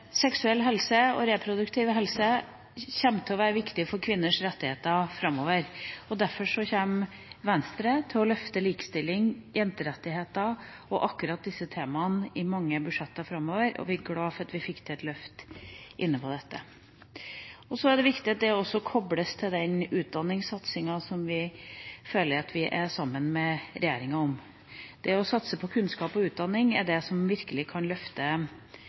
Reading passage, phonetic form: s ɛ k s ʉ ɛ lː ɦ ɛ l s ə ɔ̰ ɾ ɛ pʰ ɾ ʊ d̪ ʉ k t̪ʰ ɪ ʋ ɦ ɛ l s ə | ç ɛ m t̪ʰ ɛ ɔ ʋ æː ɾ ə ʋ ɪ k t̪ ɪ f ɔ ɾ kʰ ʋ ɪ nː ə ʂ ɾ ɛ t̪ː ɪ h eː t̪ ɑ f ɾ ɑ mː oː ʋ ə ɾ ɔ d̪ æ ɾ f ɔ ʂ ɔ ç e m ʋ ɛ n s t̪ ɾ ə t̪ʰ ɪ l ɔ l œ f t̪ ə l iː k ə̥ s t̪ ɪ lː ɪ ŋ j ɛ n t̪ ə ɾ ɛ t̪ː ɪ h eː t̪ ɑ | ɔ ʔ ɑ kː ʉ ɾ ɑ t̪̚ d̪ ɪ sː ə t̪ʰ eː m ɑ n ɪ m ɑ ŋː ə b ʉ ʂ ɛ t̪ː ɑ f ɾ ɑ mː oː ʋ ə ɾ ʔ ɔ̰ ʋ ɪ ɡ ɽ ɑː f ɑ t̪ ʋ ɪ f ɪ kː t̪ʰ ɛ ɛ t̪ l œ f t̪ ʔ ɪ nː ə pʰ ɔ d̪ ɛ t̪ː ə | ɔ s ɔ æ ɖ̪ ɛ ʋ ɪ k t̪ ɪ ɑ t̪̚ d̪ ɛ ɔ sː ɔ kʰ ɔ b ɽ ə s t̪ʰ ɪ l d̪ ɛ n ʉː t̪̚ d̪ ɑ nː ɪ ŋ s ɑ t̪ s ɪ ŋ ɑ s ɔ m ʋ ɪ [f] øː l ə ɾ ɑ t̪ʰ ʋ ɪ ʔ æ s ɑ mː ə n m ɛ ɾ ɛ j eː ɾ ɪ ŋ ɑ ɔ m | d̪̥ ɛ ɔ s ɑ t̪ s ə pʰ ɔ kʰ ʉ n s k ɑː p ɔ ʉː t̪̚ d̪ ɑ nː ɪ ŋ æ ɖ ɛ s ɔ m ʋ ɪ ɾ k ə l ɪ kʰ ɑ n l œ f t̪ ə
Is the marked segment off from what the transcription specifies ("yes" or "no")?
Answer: no